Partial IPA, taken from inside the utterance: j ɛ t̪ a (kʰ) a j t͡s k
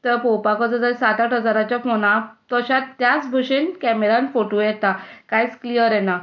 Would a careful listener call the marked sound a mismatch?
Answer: yes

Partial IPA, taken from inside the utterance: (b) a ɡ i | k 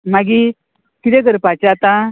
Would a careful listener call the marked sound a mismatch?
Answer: yes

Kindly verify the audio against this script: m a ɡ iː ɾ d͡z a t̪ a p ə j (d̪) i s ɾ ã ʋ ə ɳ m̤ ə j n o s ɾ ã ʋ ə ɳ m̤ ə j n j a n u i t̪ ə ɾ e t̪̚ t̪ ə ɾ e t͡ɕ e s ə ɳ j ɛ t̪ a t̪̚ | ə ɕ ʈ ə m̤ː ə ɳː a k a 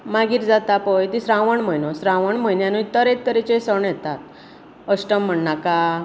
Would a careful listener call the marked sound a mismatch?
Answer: yes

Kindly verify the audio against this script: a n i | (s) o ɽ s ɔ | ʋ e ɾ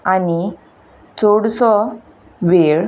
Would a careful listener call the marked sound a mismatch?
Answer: yes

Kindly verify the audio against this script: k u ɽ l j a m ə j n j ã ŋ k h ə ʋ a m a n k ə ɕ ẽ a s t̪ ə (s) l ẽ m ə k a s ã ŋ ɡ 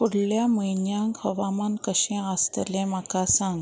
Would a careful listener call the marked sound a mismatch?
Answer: yes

